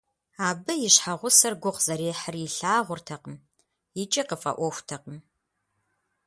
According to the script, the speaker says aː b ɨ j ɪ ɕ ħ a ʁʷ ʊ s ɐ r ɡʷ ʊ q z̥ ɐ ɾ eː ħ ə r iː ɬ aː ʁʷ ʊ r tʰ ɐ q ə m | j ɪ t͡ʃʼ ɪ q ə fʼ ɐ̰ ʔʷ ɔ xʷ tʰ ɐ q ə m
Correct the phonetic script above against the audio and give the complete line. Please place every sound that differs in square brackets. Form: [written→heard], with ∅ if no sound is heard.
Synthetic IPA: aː b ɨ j ɪ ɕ ħ a ʁʷ ʊ s ɐ r ɡʷ ʊ q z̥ ɐ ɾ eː ħ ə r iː ɬ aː ʁʷ ʊ r tʰ ɐ q ə m | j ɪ t͡ʃʼ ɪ q ə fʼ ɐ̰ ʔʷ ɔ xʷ tʰ ɐ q ə m